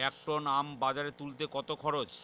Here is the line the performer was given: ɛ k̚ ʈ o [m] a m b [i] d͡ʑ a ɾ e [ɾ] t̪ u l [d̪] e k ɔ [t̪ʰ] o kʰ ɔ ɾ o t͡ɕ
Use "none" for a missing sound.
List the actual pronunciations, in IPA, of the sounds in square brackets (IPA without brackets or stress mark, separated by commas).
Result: n, a, none, t̪, t̪